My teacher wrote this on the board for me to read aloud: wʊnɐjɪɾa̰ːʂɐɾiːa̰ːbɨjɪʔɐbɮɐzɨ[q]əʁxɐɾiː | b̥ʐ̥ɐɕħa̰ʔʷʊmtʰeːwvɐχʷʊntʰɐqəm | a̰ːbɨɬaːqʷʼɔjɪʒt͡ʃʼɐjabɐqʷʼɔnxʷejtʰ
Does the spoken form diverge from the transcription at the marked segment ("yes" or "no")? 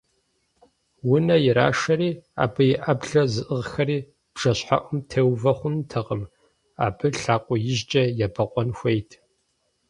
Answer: yes